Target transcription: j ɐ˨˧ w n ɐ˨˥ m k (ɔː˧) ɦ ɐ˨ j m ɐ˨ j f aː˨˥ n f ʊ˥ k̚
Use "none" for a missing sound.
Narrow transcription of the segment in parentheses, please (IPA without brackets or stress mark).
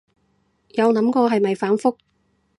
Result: ɔː˧